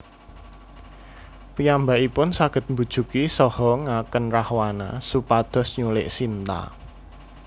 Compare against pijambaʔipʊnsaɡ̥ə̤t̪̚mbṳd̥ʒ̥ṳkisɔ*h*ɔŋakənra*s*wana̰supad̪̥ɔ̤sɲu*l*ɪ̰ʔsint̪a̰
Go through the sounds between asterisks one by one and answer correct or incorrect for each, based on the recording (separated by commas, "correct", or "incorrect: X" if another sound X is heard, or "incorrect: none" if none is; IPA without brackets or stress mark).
correct, incorrect: h, correct